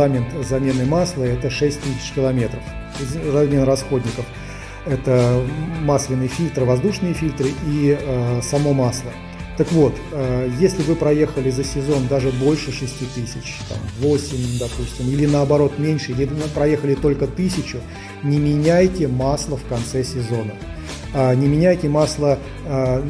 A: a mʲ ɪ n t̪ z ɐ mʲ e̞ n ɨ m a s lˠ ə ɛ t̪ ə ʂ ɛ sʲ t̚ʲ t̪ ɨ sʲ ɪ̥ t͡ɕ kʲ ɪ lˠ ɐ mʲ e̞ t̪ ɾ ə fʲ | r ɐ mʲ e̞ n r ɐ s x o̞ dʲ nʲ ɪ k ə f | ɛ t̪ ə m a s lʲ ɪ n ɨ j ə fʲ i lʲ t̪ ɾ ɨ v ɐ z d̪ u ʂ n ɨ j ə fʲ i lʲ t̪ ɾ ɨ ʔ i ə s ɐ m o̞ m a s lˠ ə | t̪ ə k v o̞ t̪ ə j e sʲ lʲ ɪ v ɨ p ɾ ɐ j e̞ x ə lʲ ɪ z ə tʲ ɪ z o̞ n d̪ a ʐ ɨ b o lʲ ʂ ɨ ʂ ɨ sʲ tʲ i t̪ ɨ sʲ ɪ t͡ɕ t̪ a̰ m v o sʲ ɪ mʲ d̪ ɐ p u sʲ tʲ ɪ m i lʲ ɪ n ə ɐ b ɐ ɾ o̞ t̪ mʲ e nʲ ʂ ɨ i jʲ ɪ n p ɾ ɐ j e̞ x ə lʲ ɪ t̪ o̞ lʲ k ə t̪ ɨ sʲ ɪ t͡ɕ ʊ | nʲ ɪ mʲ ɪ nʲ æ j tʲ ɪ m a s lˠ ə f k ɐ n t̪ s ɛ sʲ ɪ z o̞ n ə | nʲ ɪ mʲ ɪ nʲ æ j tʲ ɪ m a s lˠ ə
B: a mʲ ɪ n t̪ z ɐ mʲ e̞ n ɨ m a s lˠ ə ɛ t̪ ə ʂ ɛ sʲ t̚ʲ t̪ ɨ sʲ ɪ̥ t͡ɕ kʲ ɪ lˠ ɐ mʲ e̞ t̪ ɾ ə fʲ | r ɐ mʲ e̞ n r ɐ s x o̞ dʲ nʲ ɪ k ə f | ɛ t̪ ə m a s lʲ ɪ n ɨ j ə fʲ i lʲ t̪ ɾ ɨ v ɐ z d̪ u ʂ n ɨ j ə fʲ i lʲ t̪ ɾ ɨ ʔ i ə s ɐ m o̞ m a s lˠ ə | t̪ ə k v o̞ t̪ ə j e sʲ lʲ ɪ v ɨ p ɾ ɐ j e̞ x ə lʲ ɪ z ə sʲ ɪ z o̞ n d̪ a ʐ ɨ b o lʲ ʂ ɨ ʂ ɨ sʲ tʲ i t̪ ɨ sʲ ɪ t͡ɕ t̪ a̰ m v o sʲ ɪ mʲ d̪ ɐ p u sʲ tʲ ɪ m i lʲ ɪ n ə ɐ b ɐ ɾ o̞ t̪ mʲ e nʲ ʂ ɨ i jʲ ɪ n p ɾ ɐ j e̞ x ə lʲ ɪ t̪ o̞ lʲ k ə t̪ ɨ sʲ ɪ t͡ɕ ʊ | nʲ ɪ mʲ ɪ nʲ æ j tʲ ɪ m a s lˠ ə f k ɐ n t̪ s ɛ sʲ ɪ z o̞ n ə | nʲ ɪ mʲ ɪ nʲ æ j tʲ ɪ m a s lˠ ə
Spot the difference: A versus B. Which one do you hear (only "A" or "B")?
B